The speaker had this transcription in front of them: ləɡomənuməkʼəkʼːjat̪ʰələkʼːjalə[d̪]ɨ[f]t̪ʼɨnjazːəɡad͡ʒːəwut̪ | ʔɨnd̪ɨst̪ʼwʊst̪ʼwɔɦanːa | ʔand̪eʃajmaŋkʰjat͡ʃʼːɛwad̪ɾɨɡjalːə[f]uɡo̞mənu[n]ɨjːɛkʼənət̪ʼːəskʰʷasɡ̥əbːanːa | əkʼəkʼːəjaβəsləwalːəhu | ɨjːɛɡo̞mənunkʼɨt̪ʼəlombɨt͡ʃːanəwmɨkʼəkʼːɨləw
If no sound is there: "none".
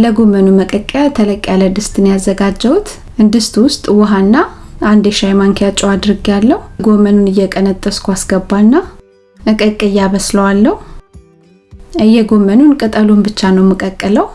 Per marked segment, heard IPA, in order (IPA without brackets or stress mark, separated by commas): d̪, s, h, n